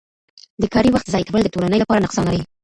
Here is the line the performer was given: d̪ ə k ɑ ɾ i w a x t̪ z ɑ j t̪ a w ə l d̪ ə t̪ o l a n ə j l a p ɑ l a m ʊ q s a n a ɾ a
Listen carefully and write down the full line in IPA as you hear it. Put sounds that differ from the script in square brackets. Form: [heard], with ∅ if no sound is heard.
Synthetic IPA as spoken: d̪ ə k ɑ ɾ i w a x t̪ z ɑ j t̪ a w ə l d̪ ə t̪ o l a n ə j l a p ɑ [ɾ] a [n] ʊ q s [ɑ] n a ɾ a